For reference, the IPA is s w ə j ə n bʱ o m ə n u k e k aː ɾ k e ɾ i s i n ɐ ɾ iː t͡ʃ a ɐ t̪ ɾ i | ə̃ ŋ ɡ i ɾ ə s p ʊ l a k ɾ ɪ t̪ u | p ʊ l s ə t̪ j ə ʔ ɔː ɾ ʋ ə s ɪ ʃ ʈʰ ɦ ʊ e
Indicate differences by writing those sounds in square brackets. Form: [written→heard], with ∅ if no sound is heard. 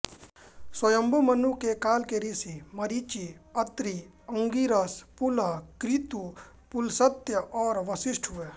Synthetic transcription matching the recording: s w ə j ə [n→m] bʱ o m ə n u k e k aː [ɾ→l] k e ɾ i s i [n→m] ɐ ɾ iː t͡ʃ [a→i] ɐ t̪ ɾ i | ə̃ ŋ ɡ i ɾ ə s p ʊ l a k ɾ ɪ t̪ u | p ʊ l s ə t̪ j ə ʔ ɔː ɾ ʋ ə s ɪ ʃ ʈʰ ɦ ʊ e